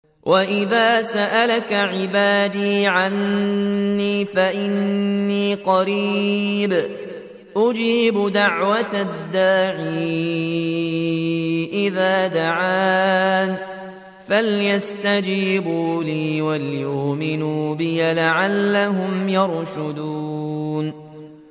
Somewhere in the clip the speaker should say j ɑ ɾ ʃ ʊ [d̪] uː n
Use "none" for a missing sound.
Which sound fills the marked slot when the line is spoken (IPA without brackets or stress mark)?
d̪